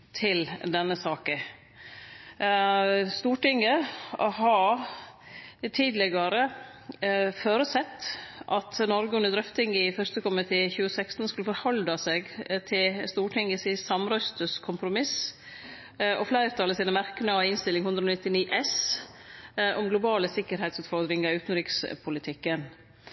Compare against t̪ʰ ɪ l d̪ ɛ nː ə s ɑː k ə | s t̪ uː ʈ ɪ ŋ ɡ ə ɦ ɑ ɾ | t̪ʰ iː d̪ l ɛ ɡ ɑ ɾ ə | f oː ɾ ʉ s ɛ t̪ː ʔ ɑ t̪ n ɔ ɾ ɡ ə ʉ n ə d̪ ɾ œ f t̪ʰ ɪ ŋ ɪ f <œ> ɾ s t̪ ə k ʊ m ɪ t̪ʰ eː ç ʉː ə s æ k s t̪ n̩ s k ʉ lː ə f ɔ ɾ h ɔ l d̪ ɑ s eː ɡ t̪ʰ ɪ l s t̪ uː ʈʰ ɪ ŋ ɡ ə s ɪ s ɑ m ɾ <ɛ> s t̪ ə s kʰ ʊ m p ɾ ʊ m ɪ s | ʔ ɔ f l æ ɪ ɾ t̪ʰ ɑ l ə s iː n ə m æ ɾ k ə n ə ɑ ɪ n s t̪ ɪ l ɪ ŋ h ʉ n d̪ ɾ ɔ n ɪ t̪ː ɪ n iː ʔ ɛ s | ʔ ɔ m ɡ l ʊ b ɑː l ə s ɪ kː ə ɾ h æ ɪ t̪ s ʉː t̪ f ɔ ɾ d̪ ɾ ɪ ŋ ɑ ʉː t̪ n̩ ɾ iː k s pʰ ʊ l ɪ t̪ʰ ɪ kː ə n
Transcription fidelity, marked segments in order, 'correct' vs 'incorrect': correct, incorrect: œ

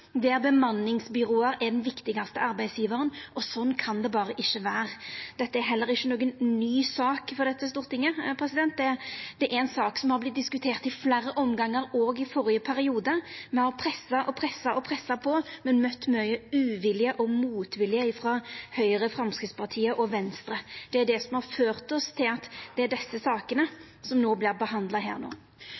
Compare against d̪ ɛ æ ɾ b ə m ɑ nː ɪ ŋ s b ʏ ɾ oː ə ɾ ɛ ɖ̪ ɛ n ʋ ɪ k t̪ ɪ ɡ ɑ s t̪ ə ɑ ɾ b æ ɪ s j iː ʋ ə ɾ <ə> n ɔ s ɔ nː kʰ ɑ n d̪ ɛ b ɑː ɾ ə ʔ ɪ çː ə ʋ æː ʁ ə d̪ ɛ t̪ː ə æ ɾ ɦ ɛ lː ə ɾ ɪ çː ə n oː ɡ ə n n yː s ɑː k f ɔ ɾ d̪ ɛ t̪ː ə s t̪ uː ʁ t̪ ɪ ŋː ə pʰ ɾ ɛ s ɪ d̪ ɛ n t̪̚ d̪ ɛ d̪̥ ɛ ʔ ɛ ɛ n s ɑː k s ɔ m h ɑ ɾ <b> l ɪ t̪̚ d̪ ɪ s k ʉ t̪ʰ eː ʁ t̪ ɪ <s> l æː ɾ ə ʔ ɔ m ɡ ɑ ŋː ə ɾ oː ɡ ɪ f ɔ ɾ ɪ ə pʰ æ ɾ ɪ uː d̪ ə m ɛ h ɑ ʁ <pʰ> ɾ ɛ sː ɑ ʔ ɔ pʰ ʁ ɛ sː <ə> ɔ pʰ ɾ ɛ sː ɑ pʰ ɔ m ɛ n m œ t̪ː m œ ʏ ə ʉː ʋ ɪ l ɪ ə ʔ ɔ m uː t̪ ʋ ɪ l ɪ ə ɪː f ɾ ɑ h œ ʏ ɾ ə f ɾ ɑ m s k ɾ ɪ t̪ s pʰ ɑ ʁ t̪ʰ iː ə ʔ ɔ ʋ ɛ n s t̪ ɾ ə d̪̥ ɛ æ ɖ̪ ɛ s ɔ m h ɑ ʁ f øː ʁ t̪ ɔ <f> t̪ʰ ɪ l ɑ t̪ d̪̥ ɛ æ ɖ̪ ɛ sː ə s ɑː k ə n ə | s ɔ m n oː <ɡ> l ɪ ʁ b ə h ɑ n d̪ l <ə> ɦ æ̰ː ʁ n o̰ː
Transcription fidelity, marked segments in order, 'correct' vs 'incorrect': correct, correct, incorrect: f, correct, incorrect: ɑ, incorrect: s, incorrect: b, incorrect: ɑ

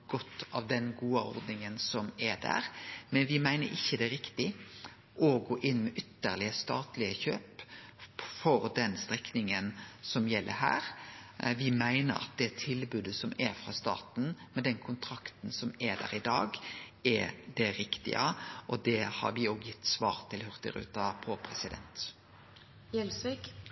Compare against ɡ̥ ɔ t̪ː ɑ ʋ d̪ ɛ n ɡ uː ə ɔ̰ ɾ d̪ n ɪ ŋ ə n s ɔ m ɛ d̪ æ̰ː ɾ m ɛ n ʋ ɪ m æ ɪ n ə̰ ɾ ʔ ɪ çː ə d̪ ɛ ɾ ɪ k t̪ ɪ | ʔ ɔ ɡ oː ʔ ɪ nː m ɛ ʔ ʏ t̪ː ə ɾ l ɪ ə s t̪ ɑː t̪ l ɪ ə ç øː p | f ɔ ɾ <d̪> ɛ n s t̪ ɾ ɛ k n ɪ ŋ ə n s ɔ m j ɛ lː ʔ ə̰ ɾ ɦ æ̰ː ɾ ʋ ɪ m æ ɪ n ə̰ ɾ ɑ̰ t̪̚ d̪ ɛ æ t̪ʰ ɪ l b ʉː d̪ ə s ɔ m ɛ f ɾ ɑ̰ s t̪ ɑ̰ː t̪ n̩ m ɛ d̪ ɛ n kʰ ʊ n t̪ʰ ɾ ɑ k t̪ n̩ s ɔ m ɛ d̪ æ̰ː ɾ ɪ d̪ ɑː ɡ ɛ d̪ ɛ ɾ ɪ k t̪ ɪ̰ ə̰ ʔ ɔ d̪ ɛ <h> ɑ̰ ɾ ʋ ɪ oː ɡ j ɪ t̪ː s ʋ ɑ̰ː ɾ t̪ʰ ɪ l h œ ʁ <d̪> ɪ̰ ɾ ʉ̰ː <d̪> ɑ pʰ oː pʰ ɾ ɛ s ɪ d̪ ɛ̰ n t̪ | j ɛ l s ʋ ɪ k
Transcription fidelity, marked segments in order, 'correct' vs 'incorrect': correct, correct, incorrect: t̪, incorrect: t̪

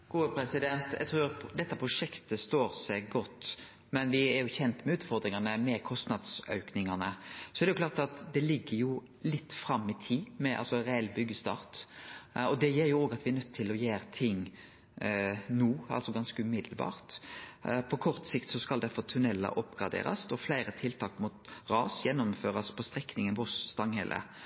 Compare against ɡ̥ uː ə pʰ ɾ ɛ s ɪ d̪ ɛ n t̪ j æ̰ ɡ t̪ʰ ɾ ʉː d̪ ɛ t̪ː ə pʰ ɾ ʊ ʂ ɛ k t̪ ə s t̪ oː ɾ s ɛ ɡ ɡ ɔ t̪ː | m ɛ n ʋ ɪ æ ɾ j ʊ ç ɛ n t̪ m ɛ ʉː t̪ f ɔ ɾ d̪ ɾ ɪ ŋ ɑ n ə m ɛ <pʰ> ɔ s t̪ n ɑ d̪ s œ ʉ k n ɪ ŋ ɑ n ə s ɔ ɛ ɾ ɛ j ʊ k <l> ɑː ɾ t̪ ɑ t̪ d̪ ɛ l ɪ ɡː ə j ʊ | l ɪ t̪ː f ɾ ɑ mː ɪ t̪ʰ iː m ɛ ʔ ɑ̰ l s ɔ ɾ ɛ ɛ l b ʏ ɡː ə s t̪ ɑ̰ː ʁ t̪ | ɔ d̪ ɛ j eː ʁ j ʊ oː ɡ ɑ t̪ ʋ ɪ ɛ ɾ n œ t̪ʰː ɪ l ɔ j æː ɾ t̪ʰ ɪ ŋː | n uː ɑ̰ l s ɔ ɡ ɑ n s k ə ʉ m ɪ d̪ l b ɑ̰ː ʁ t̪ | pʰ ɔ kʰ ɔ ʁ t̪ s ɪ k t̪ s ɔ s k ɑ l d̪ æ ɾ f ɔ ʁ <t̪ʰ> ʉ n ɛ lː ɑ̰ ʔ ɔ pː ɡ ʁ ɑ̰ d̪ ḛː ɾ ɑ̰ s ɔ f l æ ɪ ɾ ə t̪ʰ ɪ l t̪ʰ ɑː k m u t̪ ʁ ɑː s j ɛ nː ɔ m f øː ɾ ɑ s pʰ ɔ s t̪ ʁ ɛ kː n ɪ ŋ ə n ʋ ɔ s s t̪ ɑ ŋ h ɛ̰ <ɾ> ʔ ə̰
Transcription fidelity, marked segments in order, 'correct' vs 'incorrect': incorrect: kʰ, correct, correct, incorrect: l

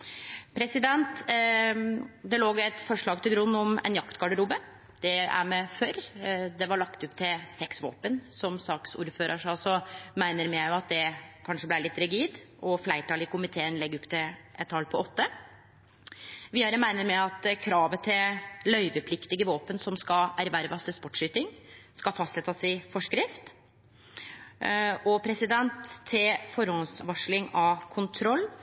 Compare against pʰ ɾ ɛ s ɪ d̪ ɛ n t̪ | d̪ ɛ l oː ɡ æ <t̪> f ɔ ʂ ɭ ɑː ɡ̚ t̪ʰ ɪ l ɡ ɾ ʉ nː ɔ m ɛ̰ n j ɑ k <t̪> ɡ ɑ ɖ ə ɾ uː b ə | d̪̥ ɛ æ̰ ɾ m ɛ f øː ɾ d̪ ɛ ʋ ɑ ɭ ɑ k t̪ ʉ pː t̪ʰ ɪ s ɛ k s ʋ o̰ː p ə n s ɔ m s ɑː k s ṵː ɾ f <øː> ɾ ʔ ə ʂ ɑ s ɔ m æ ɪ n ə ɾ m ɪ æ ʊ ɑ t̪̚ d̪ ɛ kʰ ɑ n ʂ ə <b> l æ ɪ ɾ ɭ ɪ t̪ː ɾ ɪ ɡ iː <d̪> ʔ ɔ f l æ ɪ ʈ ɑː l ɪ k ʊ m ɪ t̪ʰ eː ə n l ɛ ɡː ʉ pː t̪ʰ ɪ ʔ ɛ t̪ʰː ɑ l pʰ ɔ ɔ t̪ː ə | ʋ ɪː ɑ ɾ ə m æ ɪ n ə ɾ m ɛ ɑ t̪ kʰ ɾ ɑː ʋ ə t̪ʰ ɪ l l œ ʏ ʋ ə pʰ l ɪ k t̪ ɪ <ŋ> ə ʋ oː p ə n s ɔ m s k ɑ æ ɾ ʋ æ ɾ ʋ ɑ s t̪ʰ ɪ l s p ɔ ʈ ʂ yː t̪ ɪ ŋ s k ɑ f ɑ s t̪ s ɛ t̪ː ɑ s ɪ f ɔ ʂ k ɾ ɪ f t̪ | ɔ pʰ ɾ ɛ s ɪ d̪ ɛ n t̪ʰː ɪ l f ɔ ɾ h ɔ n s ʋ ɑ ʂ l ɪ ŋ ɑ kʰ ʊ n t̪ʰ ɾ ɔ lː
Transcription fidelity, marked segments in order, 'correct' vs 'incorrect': correct, correct, correct, correct, correct, incorrect: ɡ

